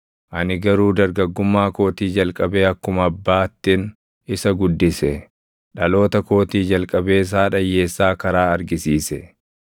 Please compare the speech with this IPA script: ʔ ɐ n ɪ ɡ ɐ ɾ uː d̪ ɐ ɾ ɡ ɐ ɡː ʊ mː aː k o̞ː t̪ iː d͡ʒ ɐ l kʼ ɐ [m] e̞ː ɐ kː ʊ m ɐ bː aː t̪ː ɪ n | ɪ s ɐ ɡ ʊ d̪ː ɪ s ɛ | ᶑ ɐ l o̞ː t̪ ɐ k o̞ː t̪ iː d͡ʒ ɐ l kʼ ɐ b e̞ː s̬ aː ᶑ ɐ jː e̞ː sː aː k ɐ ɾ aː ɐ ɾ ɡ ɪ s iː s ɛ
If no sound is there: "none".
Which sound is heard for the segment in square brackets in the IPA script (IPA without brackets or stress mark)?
b